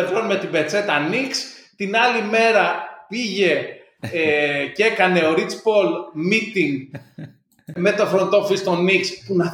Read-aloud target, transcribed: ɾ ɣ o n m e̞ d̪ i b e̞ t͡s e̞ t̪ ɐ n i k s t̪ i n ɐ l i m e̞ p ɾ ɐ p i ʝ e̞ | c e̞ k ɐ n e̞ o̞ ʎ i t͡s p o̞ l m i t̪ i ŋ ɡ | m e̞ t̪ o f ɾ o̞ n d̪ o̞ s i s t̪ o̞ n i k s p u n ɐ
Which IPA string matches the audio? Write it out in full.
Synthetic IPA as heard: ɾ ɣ o n m e̞ t̪ i b e̞ t͡s e̞ t̪ ɐ n i k s t̪ i n ɐ l i m e̞ ɾ ɐ p i ʝ e̞ | c e̞ k ɐ n e̞ o̞ ɾ i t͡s p o̞ l m i t̪ i ŋ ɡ | m e̞ t̪ o f ɾ o̞ n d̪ o̞ f i s t̪ o̞ n i k s p u n ɐ